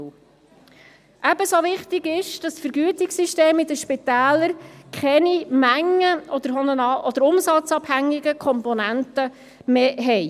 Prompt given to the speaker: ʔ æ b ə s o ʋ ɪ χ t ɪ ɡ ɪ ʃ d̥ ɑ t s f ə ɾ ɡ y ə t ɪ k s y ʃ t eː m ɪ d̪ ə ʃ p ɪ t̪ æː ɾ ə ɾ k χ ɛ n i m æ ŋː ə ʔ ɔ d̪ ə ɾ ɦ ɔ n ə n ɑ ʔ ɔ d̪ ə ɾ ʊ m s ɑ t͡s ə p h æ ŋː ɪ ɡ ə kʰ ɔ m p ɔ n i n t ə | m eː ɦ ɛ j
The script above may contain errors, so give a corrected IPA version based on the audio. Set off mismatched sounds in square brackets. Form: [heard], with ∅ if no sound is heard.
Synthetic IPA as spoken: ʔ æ b ə s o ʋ ɪ χ t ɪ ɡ ɪ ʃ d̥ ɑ [s] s f ə ɾ ɡ y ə t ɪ k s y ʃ t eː m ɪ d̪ ə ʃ p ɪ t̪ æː [l] ə ɾ k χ ɛ n i m æ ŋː ə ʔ ɔ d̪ ə ɾ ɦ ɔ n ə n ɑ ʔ ɔ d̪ ə ɾ ʊ m s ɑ t͡s [ɑ] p h æ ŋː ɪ ɡ ə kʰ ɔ m p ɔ n [æ] n t ə | m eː ɦ ɛ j